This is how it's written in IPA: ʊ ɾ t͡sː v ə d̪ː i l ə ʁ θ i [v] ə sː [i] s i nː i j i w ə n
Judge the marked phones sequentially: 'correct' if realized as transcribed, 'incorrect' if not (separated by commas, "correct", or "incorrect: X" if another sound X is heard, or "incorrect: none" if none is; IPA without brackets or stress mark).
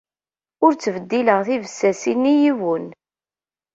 correct, incorrect: æ